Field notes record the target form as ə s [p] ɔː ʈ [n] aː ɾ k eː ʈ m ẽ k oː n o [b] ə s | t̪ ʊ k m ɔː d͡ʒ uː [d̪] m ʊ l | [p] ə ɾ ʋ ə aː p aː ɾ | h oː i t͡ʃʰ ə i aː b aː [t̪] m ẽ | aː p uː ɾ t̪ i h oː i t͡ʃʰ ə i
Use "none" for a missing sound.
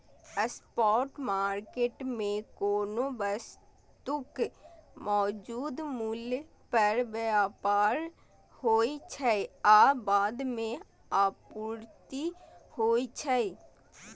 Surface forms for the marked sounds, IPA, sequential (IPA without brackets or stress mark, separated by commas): p, m, b, d̪, p, d̪